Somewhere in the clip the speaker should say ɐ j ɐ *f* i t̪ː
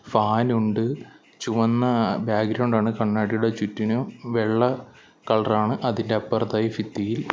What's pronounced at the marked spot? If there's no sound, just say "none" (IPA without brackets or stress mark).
f